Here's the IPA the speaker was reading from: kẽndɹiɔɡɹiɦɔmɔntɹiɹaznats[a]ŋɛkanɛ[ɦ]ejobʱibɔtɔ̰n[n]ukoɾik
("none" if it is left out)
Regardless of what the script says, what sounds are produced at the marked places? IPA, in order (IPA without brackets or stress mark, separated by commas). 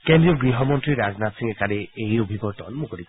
i, none, m